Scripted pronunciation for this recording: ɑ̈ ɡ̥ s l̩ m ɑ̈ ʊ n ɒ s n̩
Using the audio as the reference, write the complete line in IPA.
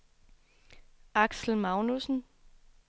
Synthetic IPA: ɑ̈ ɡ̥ s l̩ m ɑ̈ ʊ n u s n̩

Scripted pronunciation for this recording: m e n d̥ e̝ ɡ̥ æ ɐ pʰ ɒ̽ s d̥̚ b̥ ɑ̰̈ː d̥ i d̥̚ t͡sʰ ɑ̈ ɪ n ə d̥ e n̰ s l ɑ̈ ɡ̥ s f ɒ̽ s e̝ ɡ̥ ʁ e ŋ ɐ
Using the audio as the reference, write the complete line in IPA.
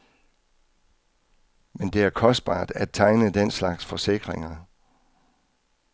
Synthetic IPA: m e n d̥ e̝ æ ɐ kʰ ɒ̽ s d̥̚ b̥ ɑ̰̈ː d̥ æ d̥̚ t͡sʰ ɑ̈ ɪ n ə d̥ e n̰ s l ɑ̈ ɡ̥ s f ɒ̽ s e̝ ɡ̥ ʁ e ŋ ɐ

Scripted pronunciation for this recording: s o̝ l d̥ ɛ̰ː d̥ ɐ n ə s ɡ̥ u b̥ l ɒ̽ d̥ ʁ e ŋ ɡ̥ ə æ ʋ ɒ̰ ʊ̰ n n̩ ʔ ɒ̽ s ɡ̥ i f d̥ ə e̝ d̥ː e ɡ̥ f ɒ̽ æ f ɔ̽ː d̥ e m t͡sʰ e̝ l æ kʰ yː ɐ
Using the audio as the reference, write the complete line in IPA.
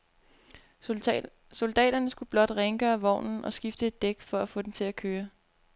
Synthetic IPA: s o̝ l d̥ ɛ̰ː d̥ ɐ n ə s ɡ̥ u b̥ l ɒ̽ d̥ ʁ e ŋ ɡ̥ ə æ ʋ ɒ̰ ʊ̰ n n̩ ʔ ɒ̽ s ɡ̥ i f d̥ ə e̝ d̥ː e ɡ̥ f ɒ̽ æ f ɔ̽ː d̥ e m t͡sʰ e̝ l æ kʰ øː ɐ

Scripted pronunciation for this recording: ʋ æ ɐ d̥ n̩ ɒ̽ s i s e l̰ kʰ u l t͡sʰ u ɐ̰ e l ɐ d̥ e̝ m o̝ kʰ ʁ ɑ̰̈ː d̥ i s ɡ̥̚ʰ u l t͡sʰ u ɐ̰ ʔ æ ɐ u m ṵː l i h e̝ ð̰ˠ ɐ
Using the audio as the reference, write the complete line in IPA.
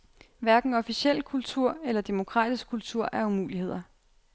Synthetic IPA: ʋ æ ɐ ɡ̥ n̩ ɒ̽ f i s e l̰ kʰ u l t͡sʰ u ɐ̰ e l ɐ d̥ e̝ m o̝ kʰ ʁ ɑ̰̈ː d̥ i s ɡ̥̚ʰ u l t͡sʰ u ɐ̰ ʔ æ ɐ u m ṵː l i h e̝ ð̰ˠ ɐ

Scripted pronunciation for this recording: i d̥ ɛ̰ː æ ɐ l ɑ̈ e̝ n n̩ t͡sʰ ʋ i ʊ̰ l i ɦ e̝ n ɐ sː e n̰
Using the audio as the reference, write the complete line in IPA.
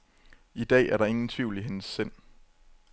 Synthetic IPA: i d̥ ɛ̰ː æ ɐ ɾ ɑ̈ e̝ ŋ n̩ t͡sʰ ʋ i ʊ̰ l i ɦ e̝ n ə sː e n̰

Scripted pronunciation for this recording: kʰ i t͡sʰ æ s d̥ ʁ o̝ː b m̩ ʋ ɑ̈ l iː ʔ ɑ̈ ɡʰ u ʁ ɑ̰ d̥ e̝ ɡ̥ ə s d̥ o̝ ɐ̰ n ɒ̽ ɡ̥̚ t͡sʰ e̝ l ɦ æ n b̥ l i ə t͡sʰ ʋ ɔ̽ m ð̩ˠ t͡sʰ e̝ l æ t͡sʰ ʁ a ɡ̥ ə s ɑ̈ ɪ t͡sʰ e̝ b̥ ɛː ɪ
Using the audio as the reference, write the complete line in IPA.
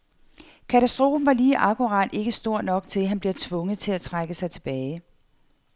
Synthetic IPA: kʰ æ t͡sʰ æ s d̥ ʁ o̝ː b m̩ ʋ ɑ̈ l iː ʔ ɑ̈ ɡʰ u ʁ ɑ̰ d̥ e̝ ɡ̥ ə s d̥ o̝ ɐ̰ n ɒ̽ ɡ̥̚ t͡sʰ e̝ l ɦ æ n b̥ l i ɐ t͡sʰ ʋ ɔ̽ ŋ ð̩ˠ t͡sʰ e̝ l æ t͡sʰ ʁ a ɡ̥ ə s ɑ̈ ɪ t͡sʰ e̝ b̥ ɛː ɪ

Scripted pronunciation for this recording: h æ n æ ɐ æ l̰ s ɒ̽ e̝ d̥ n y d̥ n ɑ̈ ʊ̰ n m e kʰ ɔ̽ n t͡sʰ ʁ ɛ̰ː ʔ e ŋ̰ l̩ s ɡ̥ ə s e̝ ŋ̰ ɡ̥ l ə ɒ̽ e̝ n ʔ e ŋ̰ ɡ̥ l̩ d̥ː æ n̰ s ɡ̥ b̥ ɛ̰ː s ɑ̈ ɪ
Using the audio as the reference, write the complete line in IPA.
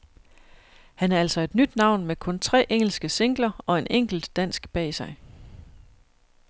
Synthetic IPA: h æ n æ ɐ æ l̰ s ɒ̽ e̝ d̥ n y d̥ n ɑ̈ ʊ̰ n m e kʰ ɔ̽ n t͡sʰ ʁ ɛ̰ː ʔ e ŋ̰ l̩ s ɡ̥ ə s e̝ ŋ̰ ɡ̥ l ɐ ɒ̽ e̝ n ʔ e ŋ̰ ɡ̥ l̩ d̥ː æ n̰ s ɡ̥ b̥ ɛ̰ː s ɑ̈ ɪ

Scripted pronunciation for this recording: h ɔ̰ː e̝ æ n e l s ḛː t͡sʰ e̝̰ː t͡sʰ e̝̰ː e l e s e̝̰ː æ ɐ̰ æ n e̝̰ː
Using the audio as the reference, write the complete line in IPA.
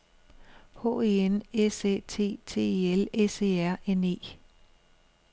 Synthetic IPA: h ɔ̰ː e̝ e n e s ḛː t͡sʰ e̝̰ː t͡sʰ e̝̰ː e l e s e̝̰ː æ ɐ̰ e n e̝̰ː

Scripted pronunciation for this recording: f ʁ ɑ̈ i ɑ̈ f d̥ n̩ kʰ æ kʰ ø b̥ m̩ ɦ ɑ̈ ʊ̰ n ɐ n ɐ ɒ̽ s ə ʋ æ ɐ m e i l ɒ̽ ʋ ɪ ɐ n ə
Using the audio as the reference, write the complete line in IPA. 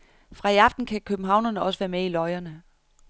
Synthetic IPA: f ʁ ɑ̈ i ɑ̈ f d̥ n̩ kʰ æ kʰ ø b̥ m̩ ɦ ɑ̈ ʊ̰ n ɐ n ə ɒ̽ s ə ʋ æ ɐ m e i l ɒ̽ ɪ ɐ n ə

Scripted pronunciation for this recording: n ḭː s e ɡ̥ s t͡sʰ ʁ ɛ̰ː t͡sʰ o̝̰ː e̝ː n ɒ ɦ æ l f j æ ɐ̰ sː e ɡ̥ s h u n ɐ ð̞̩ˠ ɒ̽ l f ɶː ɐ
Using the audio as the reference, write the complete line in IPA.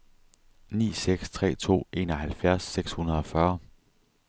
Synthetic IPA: n ḭː s e ɡ̥ s t͡sʰ ʁ ɛ̰ː t͡sʰ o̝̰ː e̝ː n ɒ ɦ æ l f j æ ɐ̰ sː e ɡ̥ s h u n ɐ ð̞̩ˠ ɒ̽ f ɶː ɐ

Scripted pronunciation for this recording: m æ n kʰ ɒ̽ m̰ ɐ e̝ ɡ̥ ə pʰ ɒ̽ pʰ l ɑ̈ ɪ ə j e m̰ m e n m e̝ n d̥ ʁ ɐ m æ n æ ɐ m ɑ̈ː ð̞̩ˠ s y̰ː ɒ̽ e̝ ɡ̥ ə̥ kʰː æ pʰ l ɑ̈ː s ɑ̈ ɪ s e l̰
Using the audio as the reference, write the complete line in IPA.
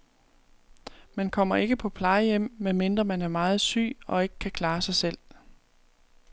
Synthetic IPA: m æ n kʰ ɒ̽ m̰ ɐ e̝ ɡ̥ ə pʰ ɒ̽ pʰ l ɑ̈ ɪ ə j e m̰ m e n m e̝ n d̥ ʁ ɐ m æ n æ ɐ m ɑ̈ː ð̞̩ˠ s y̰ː ɒ̽ e̝ ɡ̥ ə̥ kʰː æ kʰ l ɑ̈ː s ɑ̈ ɪ s e l̰

